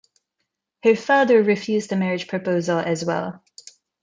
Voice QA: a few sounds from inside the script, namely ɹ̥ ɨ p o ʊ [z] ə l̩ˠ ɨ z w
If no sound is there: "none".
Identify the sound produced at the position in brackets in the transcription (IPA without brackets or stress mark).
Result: z